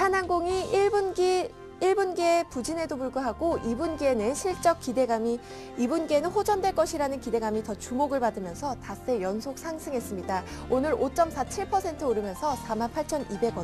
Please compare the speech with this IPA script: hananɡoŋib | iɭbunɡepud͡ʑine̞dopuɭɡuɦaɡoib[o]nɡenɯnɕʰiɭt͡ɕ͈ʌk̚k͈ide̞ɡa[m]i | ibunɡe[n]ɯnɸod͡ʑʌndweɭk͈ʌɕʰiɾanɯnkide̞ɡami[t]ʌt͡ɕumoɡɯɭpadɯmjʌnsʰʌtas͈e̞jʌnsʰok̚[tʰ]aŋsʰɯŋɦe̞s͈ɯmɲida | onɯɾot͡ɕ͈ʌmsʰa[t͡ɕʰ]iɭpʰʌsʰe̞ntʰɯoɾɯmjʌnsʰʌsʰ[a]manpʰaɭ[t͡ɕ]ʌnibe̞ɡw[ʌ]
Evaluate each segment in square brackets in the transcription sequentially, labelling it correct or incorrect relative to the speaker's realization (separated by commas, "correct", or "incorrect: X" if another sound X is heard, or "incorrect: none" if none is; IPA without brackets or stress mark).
incorrect: u, correct, correct, correct, incorrect: sʰ, correct, correct, incorrect: t͡ɕʰ, correct